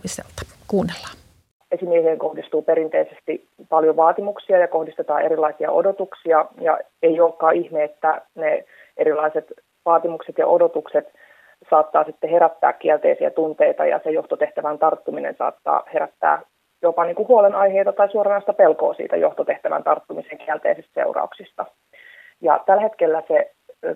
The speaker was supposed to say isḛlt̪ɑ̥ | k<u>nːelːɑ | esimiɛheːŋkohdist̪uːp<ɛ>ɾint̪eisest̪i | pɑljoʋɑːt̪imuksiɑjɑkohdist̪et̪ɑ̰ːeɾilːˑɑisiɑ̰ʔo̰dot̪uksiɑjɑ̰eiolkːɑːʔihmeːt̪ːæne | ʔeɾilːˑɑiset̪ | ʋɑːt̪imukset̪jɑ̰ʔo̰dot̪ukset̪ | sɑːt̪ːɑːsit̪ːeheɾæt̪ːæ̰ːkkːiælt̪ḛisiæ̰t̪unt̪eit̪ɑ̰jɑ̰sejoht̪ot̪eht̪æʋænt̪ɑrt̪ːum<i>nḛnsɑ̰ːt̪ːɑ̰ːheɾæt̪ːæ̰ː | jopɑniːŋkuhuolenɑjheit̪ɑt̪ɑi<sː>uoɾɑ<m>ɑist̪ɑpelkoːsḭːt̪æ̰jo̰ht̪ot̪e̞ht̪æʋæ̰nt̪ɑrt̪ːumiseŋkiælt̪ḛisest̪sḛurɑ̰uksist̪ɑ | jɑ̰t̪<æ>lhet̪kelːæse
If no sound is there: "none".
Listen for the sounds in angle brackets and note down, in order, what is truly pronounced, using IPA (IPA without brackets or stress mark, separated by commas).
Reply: uː, e, i, s, n, æ